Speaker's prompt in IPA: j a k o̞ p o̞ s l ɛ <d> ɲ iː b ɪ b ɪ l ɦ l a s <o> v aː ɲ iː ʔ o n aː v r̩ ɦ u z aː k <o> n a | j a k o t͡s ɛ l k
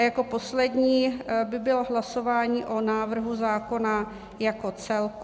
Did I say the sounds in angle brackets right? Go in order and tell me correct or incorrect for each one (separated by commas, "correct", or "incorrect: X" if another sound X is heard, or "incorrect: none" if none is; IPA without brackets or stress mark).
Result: correct, correct, correct